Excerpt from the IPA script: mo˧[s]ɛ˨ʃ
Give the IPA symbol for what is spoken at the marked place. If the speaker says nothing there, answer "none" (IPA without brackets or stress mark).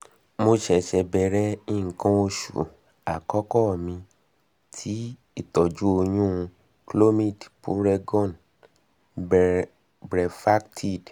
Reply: ʃ